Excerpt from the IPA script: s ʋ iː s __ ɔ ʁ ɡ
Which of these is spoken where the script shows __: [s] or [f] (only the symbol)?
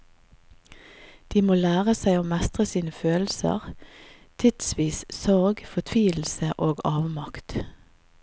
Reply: s